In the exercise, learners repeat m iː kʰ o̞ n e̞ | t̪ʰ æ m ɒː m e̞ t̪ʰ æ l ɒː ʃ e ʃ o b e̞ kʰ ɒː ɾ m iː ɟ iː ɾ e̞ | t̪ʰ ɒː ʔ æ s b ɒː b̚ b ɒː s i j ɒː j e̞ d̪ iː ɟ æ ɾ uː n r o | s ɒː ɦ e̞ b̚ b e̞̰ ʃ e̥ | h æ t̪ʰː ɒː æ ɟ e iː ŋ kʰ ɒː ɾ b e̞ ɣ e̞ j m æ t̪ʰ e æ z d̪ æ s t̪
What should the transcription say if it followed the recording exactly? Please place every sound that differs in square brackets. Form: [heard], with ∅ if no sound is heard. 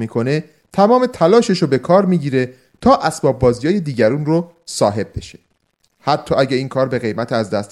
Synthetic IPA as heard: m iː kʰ o̞ n e̞ | t̪ʰ æ m ɒː m e̞ t̪ʰ æ l ɒː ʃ e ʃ o b e̞ kʰ ɒː ɾ m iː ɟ iː ɾ e̞ | t̪ʰ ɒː ʔ æ s b ɒː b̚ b ɒː [z] i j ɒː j e̞ d̪ iː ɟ æ ɾ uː n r o | s ɒː ɦ e̞ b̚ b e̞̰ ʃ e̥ | h æ t̪ʰː ɒː æ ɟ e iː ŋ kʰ ɒː ɾ b e̞ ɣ e̞ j m æ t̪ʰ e æ z d̪ æ s t̪